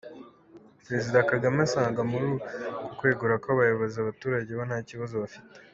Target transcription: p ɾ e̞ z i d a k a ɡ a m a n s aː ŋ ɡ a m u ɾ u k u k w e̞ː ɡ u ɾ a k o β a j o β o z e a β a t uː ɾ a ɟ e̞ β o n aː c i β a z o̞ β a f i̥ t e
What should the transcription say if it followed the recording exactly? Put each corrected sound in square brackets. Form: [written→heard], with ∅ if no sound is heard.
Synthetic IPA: p ɾ e̞ z i d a k a ɡ a m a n s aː ŋ ɡ a m u ɾ u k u k w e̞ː ɡ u ɾ a k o β a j o β o z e a β a t uː ɾ a ɟ e̞ β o n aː c i β a z o̞ β a f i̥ t e